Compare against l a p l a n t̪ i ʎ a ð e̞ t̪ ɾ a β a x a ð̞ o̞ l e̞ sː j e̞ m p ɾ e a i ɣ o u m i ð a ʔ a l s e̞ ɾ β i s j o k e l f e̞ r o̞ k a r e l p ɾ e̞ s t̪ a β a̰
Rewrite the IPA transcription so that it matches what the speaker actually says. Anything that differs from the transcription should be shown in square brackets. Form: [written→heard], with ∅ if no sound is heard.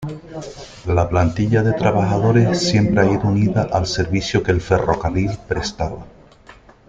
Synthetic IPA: l a p l a n t̪ i ʎ a ð e̞ t̪ ɾ a β a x a ð̞ o̞ [l→ɾ] e̞ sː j e̞ m p ɾ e a i [ɣ→ð] o u [m→n] i ð a ʔ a l s e̞ ɾ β i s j o k e l f e̞ r o̞ k a r [e→i] l p ɾ e̞ s t̪ a β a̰

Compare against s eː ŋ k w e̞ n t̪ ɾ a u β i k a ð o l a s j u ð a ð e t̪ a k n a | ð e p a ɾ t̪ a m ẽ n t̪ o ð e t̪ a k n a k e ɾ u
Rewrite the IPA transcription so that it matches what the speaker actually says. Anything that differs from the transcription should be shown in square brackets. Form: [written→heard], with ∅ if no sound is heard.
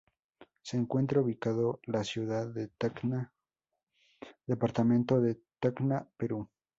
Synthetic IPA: s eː ŋ k w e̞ n t̪ ɾ a u β i k a ð o l a s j u ð a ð e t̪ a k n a | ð e p a ɾ t̪ a m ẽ n t̪ o ð e t̪ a k n a [k→p] e ɾ u

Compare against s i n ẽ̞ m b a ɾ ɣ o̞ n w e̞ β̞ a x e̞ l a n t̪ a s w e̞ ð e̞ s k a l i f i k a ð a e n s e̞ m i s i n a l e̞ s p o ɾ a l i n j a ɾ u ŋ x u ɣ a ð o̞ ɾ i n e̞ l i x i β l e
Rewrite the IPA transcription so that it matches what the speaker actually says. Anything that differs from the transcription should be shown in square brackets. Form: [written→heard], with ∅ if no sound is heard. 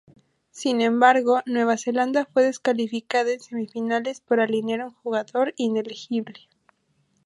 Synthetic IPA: s i n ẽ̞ m b a ɾ ɣ o̞ n w e̞ β̞ a [x→s] e̞ l a n [t̪→d̪] a [s→f] w e̞ ð e̞ s k a l i f i k a ð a e n s e̞ m i [s→f] i n a l e̞ s p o ɾ a l i n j a ɾ u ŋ x u ɣ a ð o̞ ɾ i n e̞ l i x i β l e

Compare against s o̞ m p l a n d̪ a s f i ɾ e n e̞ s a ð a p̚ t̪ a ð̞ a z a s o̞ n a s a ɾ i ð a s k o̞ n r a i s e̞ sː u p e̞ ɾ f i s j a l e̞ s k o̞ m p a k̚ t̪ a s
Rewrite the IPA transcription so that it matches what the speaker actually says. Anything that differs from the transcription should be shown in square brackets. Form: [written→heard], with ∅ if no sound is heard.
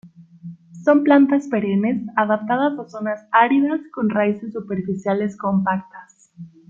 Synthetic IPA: s o̞ m p l a n [d̪→t̪] a s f [i→e] ɾ e n e̞ s a ð a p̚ t̪ a ð̞ a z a s o̞ n a s a ɾ i ð a s k o̞ n r a i s e̞ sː u p e̞ ɾ f i s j a l e̞ s k o̞ m p a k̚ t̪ a s

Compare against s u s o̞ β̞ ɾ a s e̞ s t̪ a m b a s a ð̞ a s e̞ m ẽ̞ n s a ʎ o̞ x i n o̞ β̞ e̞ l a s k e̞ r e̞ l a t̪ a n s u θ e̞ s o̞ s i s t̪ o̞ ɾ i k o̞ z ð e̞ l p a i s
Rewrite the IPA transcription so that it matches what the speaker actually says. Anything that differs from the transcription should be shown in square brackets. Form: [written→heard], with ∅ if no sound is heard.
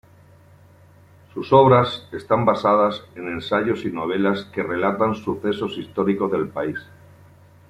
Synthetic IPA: s u s o̞ β̞ ɾ a s e̞ s t̪ a m b a s a ð̞ a s e̞ [m→n] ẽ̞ n s a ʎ o̞ [x→s] i n o̞ β̞ e̞ l a s k e̞ r e̞ l a t̪ a n s u θ e̞ s o̞ s i s t̪ o̞ ɾ i k o̞ z ð e̞ l p a i s

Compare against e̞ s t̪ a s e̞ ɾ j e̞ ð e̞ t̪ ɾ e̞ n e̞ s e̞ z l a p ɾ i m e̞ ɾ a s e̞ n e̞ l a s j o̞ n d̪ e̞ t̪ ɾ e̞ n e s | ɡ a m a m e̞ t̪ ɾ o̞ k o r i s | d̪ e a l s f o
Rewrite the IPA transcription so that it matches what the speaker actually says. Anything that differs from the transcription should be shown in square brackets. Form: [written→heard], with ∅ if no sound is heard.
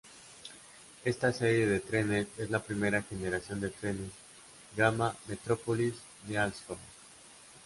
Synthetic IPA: e̞ s t̪ a s e̞ ɾ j e̞ ð e̞ t̪ ɾ e̞ n e̞ s e̞ z l a p ɾ i m e̞ ɾ a [s→x] e̞ n e̞ [l→ɾ] a s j o̞ n d̪ e̞ t̪ ɾ e̞ n e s | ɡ a m a m e̞ t̪ ɾ o̞ [k→p] o [r→l] i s | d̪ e a l s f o

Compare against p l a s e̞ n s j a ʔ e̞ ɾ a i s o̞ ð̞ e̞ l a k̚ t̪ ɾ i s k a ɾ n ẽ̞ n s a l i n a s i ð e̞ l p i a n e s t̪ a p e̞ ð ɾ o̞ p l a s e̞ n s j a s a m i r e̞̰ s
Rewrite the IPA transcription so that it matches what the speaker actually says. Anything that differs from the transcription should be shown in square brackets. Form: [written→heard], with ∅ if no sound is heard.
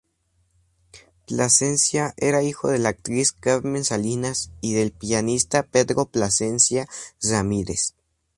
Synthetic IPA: p l a s e̞ n s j a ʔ e̞ ɾ a i [s→x] o̞ ð̞ e̞ l a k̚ t̪ ɾ i s k a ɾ [n→m] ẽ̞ n s a l i n a s i ð e̞ l p i a n [e→i] s t̪ a p e̞ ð ɾ o̞ p l a s e̞ n s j a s a m i [r→ɾ] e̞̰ s

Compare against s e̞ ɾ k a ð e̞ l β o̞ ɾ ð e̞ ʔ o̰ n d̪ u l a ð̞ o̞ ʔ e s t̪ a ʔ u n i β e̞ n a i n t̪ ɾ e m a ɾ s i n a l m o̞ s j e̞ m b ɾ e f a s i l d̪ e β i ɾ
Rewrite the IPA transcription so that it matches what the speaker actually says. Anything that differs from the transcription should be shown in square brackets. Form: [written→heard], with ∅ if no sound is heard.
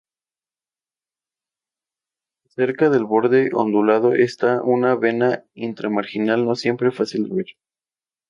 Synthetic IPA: s e̞ ɾ k a ð e̞ l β o̞ ɾ ð e̞ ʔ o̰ n d̪ u l a ð̞ o̞ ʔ e s t̪ a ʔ u n [i→a] β e̞ n a i n t̪ ɾ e m a ɾ [s→x] i n a l [m→n] o̞ s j e̞ m [b→p] ɾ e f a s i l d̪ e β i ɾ

